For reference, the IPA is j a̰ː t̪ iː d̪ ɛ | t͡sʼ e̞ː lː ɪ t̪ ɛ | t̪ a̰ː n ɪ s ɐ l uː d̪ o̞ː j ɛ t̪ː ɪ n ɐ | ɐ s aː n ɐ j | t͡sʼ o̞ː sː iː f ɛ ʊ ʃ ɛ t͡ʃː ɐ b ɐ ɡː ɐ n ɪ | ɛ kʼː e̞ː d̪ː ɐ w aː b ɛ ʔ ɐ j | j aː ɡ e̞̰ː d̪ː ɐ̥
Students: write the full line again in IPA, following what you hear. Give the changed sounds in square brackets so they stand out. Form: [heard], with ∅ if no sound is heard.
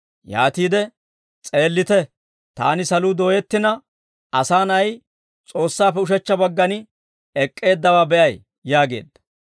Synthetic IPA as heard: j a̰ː t̪ iː d̪ ɛ | t͡sʼ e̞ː lː ɪ t̪ ɛ | t̪ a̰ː n ɪ s ɐ l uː d̪ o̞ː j ɛ t̪ː ɪ n ɐ | ɐ s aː n ɐ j | t͡sʼ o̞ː sː [aː] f ɛ ʊ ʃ ɛ t͡ʃː ɐ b ɐ ɡː ɐ n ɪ | ɛ kʼː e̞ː d̪ː ɐ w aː b ɛ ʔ ɐ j | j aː ɡ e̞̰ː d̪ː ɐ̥